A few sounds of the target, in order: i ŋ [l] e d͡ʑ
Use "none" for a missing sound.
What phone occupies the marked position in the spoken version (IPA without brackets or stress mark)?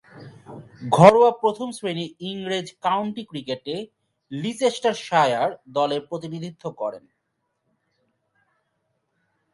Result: ɾ